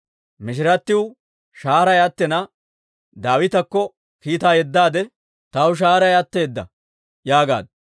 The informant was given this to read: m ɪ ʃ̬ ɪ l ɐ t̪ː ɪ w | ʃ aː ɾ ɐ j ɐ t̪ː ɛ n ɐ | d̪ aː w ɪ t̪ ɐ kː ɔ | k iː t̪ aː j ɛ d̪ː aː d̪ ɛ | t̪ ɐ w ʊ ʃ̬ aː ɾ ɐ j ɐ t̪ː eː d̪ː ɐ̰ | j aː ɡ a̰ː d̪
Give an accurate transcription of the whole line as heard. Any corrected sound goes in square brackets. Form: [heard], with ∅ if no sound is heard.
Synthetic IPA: m ɪ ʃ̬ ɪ [ɾ] ɐ t̪ː ɪ w | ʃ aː ɾ ɐ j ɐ t̪ː ɛ n ɐ | d̪ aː w ɪ t̪ ɐ kː ɔ | k iː t̪ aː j ɛ d̪ː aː d̪ ɛ | t̪ ɐ w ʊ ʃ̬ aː ɾ ɐ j ɐ t̪ː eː d̪ː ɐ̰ | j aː ɡ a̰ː d̪

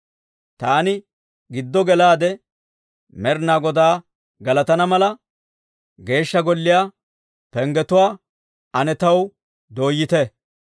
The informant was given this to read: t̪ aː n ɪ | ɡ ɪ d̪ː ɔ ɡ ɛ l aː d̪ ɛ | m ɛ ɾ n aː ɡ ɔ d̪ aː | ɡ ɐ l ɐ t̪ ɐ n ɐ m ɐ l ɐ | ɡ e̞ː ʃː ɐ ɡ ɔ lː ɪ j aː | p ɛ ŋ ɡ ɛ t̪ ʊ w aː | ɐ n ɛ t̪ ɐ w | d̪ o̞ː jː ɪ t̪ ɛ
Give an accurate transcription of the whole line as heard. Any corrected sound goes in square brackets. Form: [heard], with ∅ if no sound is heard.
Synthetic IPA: t̪ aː n ɪ | ɡ ɪ d̪ː ɔ ɡ ɛ l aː d̪ ɛ | m ɛ ɾ n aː ɡ ɔ d̪ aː | ɡ ɐ l ɐ t̪ ɐ n ɐ m ɐ l ɐ | ɡ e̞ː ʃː ɐ ɡ ɔ lː ɪ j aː | p ɛ ŋ ɡ ɛ t̪ ʊ w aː | ɐ n ɛ t̪ ɐ w | d̪ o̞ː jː ɪ t̪ ɛ

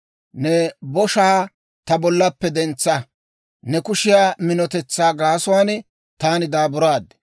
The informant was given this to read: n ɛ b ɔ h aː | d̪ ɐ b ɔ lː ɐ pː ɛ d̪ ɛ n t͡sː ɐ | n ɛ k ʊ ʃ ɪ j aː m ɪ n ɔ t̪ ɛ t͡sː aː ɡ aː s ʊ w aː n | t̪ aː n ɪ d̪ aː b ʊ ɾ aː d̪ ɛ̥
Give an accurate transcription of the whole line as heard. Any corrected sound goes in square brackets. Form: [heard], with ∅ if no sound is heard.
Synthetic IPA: n ɛ b ɔ [ʃ] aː | [t̪] ɐ b ɔ lː ɐ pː ɛ d̪ ɛ n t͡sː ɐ | n ɛ k ʊ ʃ ɪ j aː m ɪ n ɔ t̪ ɛ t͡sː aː ɡ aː s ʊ w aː n | t̪ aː n ɪ d̪ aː b ʊ ɾ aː d̪ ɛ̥

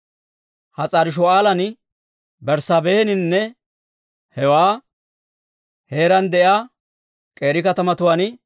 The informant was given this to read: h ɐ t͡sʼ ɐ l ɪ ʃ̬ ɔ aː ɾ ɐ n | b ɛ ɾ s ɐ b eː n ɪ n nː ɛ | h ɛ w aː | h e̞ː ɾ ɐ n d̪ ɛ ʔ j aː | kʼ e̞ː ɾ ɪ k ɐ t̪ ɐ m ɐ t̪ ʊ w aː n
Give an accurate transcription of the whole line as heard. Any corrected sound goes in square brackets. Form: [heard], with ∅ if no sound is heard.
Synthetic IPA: h ɐ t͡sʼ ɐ [ɾ] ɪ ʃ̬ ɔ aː [l] ɐ n | b ɛ ɾ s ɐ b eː n ɪ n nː ɛ | h ɛ w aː | h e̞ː ɾ ɐ n d̪ ɛ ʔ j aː | kʼ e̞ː ɾ ɪ k ɐ t̪ ɐ m ɐ t̪ ʊ w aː n

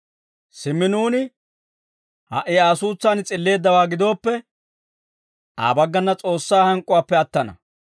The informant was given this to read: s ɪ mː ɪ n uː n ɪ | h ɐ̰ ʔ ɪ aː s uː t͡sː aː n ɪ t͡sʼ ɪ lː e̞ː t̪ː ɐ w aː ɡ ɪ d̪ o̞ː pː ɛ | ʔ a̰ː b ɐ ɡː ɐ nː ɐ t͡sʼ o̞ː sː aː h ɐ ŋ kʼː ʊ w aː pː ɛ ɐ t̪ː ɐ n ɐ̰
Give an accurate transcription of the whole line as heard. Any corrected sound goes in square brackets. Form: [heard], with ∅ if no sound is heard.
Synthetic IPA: s ɪ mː ɪ n uː n ɪ | h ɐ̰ ʔ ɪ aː s uː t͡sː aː n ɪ t͡sʼ ɪ lː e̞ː [d̪ː] ɐ w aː ɡ ɪ d̪ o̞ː pː ɛ | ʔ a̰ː b ɐ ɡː ɐ nː ɐ t͡sʼ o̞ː sː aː h ɐ ŋ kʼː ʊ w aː pː ɛ ɐ t̪ː ɐ n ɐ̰

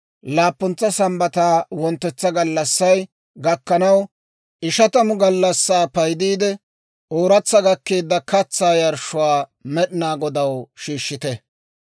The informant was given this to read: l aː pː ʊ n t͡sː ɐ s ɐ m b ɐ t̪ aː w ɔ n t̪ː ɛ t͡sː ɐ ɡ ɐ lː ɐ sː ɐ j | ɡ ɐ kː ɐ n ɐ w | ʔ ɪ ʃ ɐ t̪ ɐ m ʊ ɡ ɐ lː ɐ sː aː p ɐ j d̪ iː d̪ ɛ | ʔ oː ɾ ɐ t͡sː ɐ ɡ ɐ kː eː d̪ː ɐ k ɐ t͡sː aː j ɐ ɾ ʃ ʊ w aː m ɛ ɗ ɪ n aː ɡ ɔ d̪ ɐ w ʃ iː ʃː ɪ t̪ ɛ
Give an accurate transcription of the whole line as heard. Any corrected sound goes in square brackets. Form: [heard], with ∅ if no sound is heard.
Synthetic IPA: l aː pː ʊ n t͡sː ɐ s ɐ m b ɐ t̪ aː w ɔ n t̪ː ɛ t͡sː ɐ ɡ ɐ lː ɐ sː ɐ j | ɡ ɐ kː ɐ n ɐ w | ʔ ɪ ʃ ɐ t̪ ɐ m ʊ ɡ ɐ lː ɐ sː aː p ɐ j d̪ iː d̪ ɛ | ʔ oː ɾ ɐ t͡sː ɐ ɡ ɐ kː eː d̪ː ɐ k ɐ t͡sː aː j ɐ ɾ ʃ ʊ w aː m ɛ ɗ ɪ n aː ɡ ɔ d̪ ɐ w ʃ iː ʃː ɪ t̪ ɛ

